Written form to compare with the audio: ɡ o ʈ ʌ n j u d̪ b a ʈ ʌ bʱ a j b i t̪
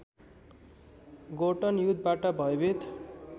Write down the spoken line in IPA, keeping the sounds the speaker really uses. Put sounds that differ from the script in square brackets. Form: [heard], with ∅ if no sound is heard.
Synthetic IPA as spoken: ɡ o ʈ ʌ n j u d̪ b a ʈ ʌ bʱ [ʌ] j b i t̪